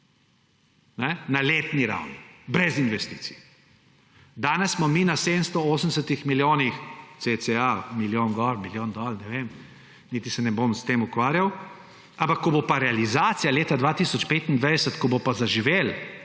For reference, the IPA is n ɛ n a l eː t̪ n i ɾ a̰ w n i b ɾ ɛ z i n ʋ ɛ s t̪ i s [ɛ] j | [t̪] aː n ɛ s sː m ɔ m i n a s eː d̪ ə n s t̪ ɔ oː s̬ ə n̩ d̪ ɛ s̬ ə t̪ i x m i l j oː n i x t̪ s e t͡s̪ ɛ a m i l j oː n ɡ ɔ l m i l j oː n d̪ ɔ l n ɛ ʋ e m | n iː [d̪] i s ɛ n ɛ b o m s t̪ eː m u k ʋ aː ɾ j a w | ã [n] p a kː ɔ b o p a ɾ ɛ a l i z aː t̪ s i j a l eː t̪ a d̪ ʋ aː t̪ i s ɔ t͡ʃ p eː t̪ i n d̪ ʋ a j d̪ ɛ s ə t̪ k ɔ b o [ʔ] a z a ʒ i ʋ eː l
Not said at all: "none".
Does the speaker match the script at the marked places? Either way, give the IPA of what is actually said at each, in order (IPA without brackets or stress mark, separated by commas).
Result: i, d̪, t̪, m, p